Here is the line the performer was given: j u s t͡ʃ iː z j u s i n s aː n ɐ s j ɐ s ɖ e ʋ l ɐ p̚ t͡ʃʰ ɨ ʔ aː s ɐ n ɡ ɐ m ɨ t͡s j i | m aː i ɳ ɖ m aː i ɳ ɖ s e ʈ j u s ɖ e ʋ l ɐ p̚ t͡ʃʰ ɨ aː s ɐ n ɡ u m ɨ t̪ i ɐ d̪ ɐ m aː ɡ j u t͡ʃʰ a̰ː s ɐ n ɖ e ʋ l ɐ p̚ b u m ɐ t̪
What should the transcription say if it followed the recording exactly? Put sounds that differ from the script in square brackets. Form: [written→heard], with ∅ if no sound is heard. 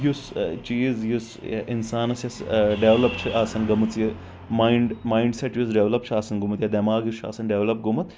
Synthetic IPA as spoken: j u s t͡ʃ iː z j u s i n s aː n ɐ s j ɐ s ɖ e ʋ l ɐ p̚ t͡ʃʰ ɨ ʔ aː s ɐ n ɡ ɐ m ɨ t͡s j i | m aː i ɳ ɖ m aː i ɳ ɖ s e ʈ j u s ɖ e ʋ l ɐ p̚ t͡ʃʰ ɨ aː s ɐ n ɡ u m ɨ t̪ [i→j] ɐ d̪ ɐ m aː ɡ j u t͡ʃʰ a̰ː s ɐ n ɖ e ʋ l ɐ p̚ [b→ɡ] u m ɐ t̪

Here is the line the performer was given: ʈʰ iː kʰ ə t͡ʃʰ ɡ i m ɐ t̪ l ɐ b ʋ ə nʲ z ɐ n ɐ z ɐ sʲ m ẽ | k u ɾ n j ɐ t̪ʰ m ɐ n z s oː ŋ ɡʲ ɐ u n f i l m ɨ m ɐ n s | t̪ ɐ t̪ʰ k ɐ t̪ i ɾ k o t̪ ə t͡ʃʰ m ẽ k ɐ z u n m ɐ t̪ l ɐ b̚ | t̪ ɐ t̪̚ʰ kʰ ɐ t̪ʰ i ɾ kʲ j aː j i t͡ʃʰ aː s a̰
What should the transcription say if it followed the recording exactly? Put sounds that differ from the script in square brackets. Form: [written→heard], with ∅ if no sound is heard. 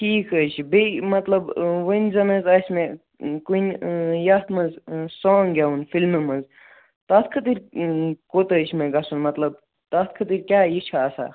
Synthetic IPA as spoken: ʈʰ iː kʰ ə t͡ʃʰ [ɡ→b] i m ɐ t̪ l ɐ b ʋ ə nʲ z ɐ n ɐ z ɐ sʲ m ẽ | k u [ɾ→∅] n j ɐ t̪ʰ m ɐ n z s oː ŋ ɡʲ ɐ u n f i l m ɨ m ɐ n [s→z] | t̪ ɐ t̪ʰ [k→kʰ] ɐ t̪ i ɾ k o t̪ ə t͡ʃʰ m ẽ [k→ɡ] ɐ [z→s] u n m ɐ t̪ l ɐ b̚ | t̪ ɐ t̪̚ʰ kʰ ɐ [t̪ʰ→t̪] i ɾ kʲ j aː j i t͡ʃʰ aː s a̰

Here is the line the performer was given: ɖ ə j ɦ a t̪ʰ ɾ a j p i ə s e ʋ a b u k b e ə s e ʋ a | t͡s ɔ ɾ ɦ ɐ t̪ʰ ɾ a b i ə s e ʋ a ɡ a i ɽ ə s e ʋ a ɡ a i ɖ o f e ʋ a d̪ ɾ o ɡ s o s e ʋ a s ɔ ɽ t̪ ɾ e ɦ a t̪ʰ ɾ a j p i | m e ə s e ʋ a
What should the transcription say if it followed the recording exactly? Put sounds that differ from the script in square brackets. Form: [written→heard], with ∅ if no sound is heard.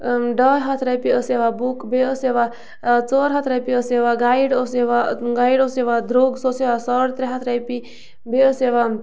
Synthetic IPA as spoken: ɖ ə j ɦ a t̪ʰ ɾ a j p i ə s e ʋ a b u k b e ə s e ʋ a | t͡s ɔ ɾ ɦ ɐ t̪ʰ ɾ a [b→p] i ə s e ʋ a ɡ a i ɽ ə s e ʋ a ɡ a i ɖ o [f→s] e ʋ a d̪ ɾ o ɡ s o s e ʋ a s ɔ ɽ t̪ ɾ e ɦ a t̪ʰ ɾ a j p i | [m→b] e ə s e ʋ a

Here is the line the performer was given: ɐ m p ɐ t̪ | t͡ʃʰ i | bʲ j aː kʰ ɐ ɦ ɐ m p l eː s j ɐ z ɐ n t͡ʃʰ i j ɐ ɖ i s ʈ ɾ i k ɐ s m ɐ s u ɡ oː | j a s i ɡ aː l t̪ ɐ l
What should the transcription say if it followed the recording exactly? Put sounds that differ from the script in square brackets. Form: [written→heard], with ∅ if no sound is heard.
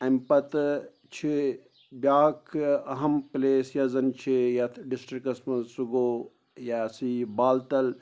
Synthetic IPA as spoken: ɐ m p ɐ t̪ | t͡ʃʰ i | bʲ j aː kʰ ɐ ɦ ɐ m p l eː s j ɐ z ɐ n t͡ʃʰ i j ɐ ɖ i s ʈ ɾ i k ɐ s m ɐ s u ɡ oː | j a s i [ɡ→b] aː l t̪ ɐ l

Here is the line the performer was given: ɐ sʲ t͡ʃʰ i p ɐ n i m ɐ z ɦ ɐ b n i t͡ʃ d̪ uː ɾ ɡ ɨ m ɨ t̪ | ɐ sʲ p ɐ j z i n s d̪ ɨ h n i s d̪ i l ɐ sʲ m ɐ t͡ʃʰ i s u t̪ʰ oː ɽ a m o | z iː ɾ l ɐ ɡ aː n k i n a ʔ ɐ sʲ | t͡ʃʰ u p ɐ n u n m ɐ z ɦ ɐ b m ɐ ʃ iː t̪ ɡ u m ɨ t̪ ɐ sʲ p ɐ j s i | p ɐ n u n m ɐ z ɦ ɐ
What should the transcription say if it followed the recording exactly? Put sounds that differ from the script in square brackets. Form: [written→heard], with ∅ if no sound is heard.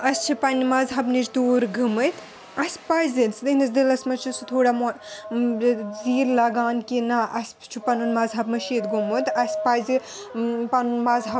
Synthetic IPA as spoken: ɐ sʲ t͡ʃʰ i p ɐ n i m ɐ z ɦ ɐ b n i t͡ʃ d̪ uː ɾ ɡ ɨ m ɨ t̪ | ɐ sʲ p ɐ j z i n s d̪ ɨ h n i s d̪ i l ɐ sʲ m ɐ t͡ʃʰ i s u t̪ʰ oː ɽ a m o | z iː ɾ l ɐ ɡ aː n k i n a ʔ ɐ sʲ | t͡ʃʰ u p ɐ n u n m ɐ z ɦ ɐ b m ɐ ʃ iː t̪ ɡ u m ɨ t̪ ɐ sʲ p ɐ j [s→z] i | p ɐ n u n m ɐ z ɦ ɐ

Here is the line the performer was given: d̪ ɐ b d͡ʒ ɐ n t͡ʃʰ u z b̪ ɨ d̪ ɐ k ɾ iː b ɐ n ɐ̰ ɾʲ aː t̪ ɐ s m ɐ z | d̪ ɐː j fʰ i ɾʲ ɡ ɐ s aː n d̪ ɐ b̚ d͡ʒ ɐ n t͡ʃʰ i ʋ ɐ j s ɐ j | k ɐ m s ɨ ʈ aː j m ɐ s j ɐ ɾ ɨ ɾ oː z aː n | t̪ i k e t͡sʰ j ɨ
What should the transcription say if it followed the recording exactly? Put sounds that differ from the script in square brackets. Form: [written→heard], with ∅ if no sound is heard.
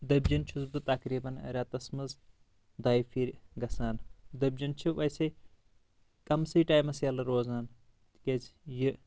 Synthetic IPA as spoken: d̪ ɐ b d͡ʒ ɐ n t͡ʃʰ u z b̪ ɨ [d̪→t̪] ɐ k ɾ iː b ɐ n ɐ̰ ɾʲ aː t̪ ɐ s m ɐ z | d̪ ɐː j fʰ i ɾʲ ɡ ɐ s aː n d̪ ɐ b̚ d͡ʒ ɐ n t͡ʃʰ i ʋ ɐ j s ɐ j | k ɐ m s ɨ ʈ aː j m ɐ s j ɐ [ɾ→l] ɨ ɾ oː z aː n | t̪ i k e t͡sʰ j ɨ

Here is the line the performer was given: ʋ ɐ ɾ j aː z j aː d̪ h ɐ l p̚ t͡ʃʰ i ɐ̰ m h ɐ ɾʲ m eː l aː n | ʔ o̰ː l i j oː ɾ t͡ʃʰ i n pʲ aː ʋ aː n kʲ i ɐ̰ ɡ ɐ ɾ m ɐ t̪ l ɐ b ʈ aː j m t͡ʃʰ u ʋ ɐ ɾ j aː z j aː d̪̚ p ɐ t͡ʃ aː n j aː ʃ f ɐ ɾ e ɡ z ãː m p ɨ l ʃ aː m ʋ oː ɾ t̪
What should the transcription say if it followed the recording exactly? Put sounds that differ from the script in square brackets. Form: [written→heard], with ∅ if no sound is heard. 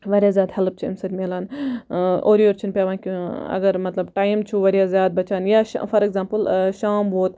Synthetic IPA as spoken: ʋ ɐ ɾ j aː z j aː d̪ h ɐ l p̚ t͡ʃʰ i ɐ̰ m [h→s] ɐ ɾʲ m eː l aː n | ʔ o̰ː [l→ɾ] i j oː ɾ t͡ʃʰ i n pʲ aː ʋ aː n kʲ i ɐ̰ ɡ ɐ ɾ m ɐ t̪ l ɐ b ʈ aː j m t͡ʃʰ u ʋ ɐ ɾ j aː z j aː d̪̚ [p→b] ɐ t͡ʃ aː n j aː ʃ f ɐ ɾ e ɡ z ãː m p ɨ l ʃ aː m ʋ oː [ɾ→∅] t̪

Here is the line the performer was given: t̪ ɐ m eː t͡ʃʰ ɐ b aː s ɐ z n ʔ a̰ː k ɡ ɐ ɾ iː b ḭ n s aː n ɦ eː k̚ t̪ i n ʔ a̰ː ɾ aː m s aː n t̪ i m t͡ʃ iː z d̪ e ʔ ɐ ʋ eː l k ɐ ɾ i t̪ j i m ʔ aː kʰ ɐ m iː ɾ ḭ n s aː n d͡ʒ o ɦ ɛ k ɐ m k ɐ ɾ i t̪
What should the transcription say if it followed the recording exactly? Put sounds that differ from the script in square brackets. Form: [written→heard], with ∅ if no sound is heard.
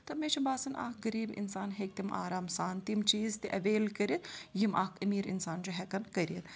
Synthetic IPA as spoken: t̪ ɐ m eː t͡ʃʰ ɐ b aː s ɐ [z→∅] n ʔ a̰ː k ɡ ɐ ɾ iː b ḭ n s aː n ɦ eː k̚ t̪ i [n→m] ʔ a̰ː ɾ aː m s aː n t̪ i m t͡ʃ iː z [d̪→t̪] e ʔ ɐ ʋ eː l k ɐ ɾ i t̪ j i m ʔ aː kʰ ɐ m iː ɾ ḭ n s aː n d͡ʒ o ɦ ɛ k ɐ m k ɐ ɾ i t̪

